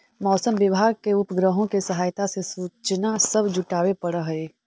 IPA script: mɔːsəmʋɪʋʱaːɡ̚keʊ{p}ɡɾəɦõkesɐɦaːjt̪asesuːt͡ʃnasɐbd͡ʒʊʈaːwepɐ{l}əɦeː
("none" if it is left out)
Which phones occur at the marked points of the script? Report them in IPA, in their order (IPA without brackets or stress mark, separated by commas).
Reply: p, ɽ